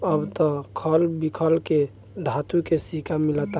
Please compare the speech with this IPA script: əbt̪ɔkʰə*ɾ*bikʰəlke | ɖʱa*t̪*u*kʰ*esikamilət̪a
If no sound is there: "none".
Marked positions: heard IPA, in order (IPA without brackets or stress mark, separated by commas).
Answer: l, t̪, k